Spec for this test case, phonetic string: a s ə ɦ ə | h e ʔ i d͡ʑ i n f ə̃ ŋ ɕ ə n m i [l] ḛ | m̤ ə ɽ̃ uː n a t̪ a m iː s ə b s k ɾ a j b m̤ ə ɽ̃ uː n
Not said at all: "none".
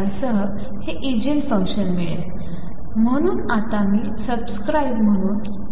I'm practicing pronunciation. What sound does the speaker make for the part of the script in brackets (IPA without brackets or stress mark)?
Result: ɭ